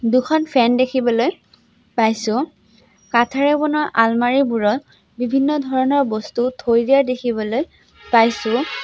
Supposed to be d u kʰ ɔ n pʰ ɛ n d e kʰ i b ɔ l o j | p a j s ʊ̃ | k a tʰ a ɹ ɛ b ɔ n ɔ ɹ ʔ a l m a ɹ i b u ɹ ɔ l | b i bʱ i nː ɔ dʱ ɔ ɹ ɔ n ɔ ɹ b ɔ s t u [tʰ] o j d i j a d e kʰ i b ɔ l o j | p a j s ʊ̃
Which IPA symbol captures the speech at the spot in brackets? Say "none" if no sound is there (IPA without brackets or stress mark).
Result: tʰ